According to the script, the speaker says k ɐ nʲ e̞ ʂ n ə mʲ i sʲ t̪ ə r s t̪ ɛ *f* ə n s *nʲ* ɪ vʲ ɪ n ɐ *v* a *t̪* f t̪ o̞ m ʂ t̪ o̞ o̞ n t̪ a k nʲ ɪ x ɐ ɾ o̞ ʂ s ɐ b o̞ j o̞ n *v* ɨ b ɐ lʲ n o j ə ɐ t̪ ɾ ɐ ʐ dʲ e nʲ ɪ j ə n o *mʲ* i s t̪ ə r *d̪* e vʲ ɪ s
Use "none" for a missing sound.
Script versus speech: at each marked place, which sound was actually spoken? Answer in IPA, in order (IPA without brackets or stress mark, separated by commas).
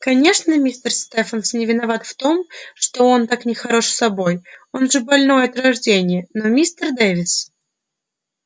f, nʲ, v, t̪, ʐ, mʲ, d̪